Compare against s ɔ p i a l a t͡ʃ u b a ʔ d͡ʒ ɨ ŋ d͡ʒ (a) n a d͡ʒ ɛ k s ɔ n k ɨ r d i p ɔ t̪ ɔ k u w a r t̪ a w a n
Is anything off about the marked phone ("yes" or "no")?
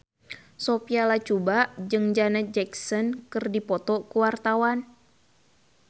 no